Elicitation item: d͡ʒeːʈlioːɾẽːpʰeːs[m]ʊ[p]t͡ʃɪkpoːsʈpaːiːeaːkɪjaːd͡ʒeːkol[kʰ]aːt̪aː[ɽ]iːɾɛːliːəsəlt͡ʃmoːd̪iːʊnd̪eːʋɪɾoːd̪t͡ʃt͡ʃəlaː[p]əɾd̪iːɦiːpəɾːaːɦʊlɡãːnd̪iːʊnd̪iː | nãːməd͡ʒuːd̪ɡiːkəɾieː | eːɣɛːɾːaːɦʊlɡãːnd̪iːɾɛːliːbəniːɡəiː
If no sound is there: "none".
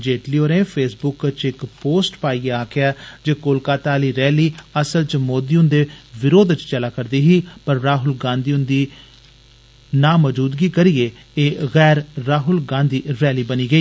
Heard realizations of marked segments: b, k, k, l, k

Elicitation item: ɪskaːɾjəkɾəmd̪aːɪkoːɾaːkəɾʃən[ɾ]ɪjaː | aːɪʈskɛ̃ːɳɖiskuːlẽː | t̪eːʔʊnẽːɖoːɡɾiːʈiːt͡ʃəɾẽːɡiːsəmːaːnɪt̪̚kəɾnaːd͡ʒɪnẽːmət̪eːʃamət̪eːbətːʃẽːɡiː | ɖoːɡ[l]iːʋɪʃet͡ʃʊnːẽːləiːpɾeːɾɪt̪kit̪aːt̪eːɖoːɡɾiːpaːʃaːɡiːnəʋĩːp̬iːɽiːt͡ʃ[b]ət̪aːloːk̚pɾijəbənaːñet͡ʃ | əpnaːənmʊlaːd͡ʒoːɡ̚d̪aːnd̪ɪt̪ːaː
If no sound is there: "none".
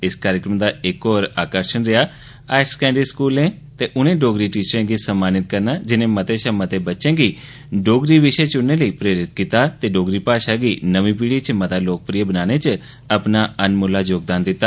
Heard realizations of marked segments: ɾ, ɾ, m

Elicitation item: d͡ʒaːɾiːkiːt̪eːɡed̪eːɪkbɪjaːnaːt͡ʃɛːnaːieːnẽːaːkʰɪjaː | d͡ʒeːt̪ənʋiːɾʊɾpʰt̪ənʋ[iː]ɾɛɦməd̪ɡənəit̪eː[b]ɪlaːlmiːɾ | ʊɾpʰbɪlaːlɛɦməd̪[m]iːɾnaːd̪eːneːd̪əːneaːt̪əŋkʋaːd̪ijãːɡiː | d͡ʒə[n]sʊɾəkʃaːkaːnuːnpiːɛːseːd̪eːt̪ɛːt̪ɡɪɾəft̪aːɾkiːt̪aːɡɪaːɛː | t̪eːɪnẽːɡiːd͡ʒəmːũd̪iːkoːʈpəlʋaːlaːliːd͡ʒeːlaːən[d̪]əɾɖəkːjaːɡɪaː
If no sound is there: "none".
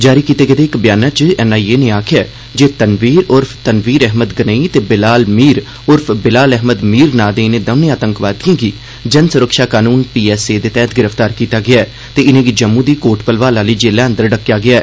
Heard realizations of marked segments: iː, b, m, n, d̪

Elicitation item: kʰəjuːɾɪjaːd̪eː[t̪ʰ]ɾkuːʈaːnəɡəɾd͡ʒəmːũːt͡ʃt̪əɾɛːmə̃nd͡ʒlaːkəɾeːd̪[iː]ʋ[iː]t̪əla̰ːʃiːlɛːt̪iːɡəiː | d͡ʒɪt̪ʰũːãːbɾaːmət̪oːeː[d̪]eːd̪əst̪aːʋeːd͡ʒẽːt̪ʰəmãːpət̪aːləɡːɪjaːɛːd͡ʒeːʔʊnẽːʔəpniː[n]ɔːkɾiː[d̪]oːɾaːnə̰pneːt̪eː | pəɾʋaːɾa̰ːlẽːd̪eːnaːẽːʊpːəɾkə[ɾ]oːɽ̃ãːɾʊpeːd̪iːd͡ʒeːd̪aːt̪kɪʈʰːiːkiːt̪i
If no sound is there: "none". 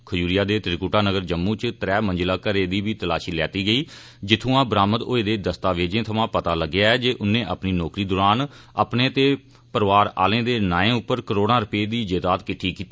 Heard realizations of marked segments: t̪, iː, iː, d̪, n, d̪, ɾ

